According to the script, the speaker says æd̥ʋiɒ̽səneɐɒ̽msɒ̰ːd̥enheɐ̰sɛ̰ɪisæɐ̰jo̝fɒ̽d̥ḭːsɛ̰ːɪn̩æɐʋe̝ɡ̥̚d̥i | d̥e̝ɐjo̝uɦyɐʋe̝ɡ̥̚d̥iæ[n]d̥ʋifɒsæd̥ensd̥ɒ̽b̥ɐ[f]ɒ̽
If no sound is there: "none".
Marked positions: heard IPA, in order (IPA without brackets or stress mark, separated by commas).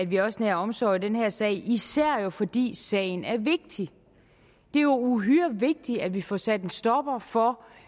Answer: none, f